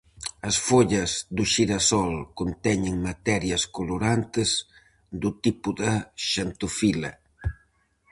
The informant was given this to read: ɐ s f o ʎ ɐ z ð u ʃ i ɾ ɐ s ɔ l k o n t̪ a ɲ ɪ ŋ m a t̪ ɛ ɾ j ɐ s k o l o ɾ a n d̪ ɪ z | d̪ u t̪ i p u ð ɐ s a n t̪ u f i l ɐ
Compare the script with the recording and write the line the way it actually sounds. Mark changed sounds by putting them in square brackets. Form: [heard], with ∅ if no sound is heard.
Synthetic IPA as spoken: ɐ s f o ʎ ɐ z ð u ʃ i ɾ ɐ s ɔ l k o n t̪ [ɛ] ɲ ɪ ŋ m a t̪ ɛ ɾ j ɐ s k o l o ɾ a n [t̪] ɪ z | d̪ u t̪ i p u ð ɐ [ʃ] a n t̪ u f i l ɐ